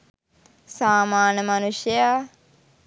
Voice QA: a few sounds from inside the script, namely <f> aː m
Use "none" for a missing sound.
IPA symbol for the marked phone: s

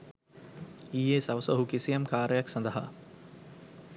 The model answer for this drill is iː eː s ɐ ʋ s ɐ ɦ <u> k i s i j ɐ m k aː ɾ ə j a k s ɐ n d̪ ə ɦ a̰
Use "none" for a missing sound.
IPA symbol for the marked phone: u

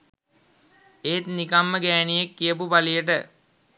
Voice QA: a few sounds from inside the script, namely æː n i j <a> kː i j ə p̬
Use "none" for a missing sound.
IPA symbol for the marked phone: e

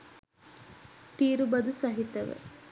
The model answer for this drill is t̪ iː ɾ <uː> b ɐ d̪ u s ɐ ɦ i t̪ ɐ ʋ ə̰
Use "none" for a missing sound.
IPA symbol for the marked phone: u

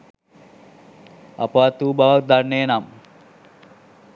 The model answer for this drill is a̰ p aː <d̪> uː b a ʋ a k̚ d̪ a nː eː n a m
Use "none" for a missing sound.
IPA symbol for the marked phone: t̪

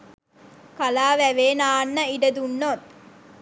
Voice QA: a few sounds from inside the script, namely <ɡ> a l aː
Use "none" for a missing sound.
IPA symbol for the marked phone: k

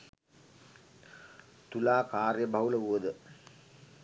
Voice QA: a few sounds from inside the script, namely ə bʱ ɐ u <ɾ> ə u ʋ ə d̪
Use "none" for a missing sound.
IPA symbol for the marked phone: l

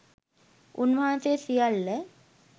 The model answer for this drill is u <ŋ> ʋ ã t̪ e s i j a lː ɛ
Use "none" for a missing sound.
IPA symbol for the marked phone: n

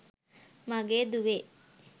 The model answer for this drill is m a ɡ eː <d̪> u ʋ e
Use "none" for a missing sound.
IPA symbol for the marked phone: d̪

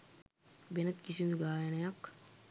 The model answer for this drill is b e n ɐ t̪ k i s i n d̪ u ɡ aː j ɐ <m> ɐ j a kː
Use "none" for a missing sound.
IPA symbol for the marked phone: n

